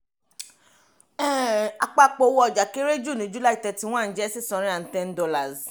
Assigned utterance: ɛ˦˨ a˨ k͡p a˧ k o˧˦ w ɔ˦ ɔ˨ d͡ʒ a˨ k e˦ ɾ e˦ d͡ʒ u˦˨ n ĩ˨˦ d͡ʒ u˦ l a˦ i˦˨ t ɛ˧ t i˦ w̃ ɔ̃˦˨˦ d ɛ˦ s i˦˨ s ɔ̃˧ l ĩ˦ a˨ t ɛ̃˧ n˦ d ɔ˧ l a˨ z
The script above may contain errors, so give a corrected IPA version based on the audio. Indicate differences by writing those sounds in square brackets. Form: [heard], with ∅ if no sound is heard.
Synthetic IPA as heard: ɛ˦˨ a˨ k͡p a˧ [k͡p] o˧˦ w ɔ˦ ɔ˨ d͡ʒ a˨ k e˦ ɾ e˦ d͡ʒ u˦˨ n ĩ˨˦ d͡ʒ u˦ l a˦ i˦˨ t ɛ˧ t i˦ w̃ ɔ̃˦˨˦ [d͡ʒ] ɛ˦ s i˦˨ s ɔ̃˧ [ɾ] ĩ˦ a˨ t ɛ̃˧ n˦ d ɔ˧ l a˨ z